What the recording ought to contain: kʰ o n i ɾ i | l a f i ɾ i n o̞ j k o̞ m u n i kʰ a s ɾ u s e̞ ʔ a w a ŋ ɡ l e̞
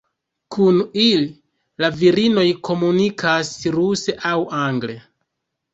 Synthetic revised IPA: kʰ u n i l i | l a v i ɾ i n o̞ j k o̞ m u n i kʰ a s ɾ u s e̞ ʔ a w a ŋ ɡ l e̞